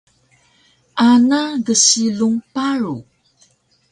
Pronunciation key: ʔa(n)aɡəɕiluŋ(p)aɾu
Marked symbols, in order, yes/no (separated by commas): yes, yes